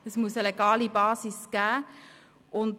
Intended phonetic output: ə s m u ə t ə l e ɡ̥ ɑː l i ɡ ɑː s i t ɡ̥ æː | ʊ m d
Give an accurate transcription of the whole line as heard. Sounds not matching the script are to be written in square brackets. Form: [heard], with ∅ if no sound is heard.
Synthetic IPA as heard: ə s m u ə [s] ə l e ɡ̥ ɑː l i [b] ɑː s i [s] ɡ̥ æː | ʊ [n] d